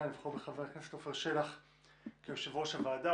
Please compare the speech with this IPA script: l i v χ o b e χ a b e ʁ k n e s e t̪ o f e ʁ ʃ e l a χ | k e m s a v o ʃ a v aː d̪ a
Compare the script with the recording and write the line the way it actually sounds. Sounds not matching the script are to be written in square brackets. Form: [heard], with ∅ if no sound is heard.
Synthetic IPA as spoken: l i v χ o b e χ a [v] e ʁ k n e s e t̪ o f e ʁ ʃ e l a χ | k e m [ʃ] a v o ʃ a v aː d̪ a